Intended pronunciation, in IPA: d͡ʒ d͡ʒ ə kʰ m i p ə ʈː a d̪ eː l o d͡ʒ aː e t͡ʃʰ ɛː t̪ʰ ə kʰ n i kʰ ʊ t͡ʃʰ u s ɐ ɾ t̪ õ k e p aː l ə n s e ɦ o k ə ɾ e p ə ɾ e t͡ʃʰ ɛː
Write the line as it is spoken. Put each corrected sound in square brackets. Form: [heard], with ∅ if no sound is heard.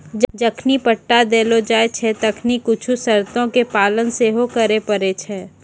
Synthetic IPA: d͡ʒ d͡ʒ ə kʰ [n] i p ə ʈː a d̪ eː l o d͡ʒ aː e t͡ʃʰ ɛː [t̪] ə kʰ n i [k] ʊ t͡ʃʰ u s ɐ ɾ t̪ õ k e p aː l ə n s e ɦ o k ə ɾ e p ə ɾ e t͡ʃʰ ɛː